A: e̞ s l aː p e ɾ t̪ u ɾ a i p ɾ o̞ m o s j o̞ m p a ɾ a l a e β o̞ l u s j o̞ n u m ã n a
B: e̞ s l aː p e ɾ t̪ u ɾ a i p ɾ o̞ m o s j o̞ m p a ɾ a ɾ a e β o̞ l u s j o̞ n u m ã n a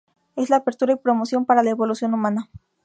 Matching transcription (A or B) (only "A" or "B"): A